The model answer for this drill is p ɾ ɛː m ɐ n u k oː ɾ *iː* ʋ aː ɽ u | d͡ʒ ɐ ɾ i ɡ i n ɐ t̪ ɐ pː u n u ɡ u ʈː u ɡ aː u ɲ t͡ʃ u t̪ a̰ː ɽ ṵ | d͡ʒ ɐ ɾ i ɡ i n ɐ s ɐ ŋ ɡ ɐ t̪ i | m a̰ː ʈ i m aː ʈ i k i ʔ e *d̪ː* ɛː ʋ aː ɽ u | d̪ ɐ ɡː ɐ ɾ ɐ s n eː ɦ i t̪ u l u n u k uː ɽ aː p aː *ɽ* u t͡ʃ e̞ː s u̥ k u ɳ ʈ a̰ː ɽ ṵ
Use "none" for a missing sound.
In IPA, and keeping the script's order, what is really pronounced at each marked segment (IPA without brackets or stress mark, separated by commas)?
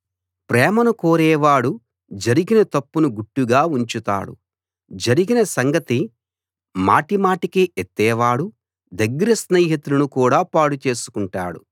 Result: ɛː, t̪ː, ɽ